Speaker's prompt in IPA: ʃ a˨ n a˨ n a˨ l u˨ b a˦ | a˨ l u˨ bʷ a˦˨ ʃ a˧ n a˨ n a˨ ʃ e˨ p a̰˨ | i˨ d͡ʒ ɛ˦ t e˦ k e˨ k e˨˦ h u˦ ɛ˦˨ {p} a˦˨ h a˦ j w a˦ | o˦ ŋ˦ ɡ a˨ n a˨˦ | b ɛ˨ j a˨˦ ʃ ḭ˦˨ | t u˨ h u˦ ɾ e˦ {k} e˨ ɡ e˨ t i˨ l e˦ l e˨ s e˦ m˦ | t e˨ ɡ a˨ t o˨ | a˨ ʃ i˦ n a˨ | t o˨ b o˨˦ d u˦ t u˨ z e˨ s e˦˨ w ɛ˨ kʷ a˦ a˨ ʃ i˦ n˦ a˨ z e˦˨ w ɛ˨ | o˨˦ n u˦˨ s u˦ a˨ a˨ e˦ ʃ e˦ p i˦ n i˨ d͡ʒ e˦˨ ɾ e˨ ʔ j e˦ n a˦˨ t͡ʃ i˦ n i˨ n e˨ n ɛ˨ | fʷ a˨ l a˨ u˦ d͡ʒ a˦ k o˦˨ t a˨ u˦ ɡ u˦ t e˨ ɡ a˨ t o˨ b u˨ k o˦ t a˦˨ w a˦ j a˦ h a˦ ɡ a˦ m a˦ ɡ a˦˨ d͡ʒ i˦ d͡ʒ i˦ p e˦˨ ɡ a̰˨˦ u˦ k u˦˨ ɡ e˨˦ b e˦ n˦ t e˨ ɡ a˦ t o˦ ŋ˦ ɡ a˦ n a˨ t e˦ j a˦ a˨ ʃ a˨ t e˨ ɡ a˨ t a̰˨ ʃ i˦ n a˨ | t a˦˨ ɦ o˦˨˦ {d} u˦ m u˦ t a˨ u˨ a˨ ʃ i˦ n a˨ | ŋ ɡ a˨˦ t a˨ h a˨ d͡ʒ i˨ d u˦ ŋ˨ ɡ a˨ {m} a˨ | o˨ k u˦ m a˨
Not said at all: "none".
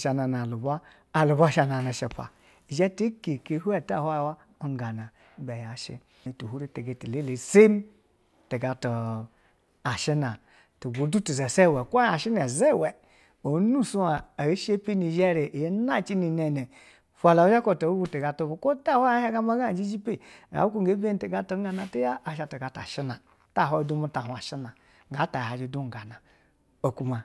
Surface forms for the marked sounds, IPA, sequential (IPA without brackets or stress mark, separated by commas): t, t, d, n